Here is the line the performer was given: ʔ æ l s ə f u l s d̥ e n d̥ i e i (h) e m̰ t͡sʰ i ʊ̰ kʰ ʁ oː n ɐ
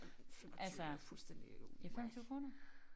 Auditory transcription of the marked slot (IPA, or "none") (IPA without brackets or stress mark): f